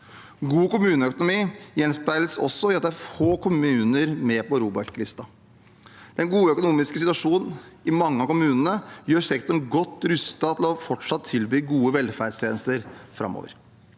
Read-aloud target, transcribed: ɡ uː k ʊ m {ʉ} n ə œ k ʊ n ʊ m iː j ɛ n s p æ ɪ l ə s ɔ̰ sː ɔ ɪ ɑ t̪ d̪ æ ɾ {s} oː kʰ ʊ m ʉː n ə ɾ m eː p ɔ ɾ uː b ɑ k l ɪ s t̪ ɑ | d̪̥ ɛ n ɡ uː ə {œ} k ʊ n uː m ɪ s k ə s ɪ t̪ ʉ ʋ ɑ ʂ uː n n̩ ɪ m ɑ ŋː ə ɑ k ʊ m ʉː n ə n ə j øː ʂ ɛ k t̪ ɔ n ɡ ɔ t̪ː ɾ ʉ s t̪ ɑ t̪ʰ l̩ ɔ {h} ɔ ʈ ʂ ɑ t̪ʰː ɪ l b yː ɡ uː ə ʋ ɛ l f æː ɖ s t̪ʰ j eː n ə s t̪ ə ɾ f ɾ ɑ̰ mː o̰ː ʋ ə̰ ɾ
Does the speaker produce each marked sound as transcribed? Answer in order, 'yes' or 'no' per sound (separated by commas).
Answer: no, no, yes, no